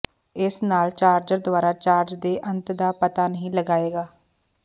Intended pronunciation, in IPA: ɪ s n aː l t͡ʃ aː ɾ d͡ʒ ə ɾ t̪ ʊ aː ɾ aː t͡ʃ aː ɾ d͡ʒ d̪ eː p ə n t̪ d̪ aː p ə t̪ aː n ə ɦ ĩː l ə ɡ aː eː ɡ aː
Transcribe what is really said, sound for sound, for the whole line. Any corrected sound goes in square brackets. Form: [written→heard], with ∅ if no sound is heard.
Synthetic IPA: ɪ s n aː l t͡ʃ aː ɾ d͡ʒ ə ɾ [t̪→d̪] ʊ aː ɾ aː t͡ʃ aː ɾ d͡ʒ d̪ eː [p→ʔ] ə n t̪ d̪ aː p ə t̪ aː n ə ɦ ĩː l ə ɡ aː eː ɡ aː